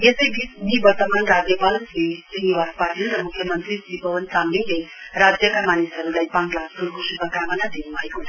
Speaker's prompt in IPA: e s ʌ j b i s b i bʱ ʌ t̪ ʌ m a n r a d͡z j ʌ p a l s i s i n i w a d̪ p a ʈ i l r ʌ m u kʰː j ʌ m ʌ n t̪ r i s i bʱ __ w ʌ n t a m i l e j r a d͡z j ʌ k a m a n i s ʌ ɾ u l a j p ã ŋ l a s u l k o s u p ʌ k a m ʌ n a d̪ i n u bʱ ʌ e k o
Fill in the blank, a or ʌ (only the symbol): ʌ